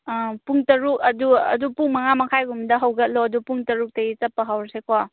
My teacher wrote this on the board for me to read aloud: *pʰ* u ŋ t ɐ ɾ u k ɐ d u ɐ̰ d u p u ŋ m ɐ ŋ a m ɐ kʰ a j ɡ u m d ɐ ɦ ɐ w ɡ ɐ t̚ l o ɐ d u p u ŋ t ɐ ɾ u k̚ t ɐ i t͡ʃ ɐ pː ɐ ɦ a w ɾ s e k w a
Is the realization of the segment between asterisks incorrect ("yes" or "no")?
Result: yes